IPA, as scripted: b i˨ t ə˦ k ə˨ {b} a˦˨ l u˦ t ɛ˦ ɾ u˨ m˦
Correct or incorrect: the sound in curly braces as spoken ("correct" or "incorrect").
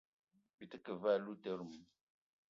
incorrect